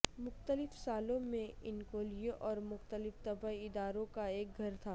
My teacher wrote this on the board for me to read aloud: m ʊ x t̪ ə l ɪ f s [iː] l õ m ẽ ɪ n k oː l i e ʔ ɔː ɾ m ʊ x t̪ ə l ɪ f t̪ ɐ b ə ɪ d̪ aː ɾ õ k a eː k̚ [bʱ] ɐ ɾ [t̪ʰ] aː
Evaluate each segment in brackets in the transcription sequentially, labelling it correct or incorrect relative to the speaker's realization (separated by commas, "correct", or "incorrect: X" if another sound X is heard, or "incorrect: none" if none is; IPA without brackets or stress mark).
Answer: incorrect: aː, incorrect: ɡʱ, correct